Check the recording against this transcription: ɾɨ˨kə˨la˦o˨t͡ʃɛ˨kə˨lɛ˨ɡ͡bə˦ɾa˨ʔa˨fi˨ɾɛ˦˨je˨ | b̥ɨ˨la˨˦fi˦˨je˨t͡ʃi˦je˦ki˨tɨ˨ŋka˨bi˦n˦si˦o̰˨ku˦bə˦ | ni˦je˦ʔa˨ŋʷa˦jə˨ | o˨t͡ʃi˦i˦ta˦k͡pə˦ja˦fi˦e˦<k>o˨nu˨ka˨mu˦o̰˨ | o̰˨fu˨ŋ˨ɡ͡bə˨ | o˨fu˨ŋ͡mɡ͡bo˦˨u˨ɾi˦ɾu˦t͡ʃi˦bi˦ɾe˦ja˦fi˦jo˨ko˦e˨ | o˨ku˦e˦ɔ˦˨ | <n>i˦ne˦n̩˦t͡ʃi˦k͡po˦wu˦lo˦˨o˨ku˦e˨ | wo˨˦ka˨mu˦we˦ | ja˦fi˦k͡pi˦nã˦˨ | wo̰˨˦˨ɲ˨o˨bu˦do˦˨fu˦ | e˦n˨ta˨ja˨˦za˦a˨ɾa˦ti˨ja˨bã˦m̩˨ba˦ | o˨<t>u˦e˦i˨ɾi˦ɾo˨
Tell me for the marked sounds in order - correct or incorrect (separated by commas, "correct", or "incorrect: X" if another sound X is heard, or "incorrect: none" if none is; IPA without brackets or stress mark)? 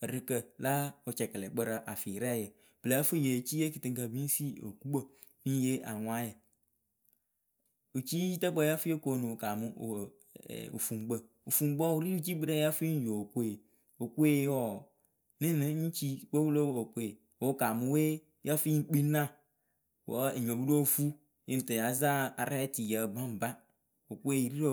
correct, correct, incorrect: k